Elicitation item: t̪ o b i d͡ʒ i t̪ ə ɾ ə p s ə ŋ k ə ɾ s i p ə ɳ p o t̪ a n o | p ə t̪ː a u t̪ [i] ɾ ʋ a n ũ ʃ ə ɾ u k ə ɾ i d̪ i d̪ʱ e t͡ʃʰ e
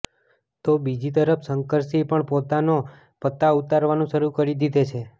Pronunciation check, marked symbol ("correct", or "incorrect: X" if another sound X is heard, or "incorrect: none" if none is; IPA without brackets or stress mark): incorrect: a